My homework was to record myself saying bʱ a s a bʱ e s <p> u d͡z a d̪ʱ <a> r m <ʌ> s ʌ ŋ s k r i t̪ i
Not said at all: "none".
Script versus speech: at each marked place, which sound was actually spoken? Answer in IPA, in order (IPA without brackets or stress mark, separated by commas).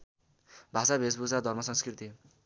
b, ʌ, ʌ